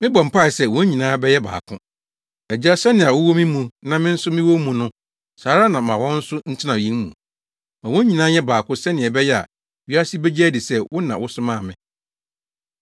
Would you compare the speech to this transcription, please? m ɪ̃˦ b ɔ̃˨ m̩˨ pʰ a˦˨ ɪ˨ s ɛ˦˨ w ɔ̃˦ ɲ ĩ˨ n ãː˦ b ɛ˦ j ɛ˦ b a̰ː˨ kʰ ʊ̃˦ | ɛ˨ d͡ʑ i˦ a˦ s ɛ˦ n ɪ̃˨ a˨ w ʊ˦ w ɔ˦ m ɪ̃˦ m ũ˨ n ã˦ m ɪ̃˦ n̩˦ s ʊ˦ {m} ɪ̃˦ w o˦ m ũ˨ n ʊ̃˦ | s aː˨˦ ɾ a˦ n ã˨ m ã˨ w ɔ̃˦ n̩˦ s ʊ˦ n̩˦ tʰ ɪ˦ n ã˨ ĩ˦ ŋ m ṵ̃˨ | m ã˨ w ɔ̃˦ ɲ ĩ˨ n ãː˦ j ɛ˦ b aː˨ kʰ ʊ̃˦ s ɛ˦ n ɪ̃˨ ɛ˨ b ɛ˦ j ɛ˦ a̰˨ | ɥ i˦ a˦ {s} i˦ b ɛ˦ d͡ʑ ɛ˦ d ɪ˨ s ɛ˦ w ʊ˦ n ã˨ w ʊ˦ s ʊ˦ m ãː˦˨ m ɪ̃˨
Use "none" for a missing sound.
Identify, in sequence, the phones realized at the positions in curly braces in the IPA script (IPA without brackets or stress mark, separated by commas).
m, s